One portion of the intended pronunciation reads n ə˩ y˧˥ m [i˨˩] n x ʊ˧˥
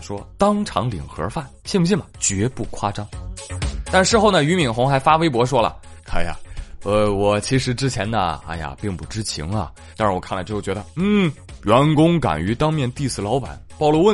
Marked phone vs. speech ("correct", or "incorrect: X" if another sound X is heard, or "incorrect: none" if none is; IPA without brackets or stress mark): correct